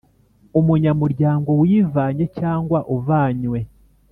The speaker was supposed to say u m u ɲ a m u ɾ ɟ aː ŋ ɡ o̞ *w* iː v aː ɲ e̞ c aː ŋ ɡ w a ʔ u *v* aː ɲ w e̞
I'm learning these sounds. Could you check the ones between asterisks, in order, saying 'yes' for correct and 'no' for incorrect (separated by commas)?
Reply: yes, yes